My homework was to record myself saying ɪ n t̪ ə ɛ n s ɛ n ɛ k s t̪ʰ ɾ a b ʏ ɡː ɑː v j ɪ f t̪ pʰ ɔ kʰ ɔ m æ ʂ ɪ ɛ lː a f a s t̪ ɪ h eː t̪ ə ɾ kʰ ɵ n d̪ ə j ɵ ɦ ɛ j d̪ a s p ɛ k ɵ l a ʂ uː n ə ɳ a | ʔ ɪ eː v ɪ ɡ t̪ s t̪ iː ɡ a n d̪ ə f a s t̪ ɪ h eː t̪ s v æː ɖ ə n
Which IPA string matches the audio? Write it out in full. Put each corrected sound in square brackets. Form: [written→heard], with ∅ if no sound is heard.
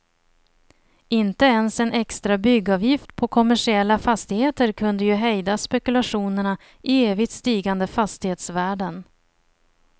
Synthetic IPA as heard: ɪ n t̪ ə ɛ n s ɛ n ɛ k s [t̪ʰ→t̪] ɾ a b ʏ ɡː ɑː v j ɪ f t̪ pʰ ɔ kʰ ɔ m æ ʂ ɪ ɛ lː a f a s t̪ ɪ h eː t̪ ə ɾ kʰ ɵ n d̪ ə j ɵ ɦ ɛ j d̪ a s p ɛ k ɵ l a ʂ uː n ə ɳ a | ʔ ɪ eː v ɪ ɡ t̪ s t̪ iː ɡ a n d̪ ə f a s t̪ ɪ h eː t̪ s v æː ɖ ə n